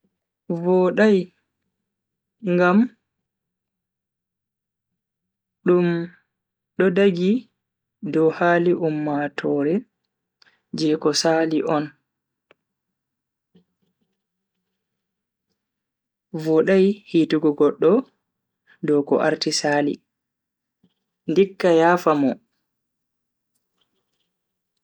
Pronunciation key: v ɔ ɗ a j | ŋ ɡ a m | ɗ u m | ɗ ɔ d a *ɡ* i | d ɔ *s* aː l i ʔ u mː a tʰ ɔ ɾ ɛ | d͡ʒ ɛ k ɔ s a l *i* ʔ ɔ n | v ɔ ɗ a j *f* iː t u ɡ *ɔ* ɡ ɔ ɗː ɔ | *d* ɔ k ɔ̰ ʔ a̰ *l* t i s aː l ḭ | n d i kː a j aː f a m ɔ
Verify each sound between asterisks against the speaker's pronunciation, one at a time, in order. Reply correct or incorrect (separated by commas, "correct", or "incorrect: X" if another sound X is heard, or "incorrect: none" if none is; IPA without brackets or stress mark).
correct, incorrect: h, correct, incorrect: h, correct, correct, incorrect: ɾ